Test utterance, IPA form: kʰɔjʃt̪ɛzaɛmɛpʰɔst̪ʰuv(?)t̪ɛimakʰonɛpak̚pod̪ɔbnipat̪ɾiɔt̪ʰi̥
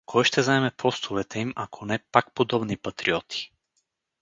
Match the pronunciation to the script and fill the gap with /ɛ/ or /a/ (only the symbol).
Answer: ɛ